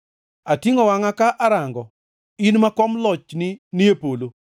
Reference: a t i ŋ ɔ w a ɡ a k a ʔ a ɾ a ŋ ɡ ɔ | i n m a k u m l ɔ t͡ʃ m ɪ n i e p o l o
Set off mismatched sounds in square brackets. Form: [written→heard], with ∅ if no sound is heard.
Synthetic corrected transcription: a t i ŋ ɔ w a [ɡ→ŋ] a k a ʔ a ɾ a ŋ ɡ ɔ | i n m a k [u→ɔ] m l ɔ t͡ʃ [m→n] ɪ n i e p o l o